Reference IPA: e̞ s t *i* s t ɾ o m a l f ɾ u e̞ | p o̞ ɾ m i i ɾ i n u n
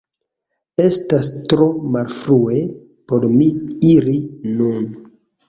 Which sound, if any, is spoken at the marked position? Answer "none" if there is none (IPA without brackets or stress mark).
a